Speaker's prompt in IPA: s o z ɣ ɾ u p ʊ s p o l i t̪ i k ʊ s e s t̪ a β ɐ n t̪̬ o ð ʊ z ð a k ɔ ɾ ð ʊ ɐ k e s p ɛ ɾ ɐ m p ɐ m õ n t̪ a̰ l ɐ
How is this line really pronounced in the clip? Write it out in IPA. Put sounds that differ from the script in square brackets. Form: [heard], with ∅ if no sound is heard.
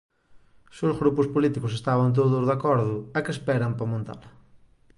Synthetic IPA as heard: s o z ɣ ɾ u p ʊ s p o l i t̪ i k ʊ s e s t̪ a β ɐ n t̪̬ o ð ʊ z ð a k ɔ ɾ ð ʊ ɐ k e s p ɛ ɾ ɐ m p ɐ m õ n t̪ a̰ l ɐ